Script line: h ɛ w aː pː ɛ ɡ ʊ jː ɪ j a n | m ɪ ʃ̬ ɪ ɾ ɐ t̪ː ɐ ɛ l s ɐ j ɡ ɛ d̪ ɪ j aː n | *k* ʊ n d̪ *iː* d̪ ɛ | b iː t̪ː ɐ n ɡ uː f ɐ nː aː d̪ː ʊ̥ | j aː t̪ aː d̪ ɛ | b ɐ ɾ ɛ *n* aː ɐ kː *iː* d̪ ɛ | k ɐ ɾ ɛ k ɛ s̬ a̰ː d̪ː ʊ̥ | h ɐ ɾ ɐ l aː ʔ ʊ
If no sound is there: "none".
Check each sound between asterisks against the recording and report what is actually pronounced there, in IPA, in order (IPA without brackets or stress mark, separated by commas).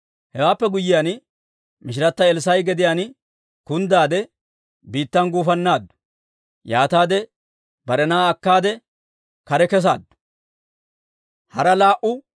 k, aː, n, aː